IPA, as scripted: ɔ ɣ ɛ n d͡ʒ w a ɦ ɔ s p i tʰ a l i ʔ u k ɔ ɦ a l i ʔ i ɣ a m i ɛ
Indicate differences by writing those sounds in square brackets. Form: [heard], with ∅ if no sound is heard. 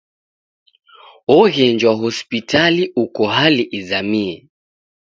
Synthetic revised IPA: ɔ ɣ ɛ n d͡ʒ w a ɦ ɔ s p i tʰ a l i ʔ u k ɔ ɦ a l i ʔ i [z] a m i ɛ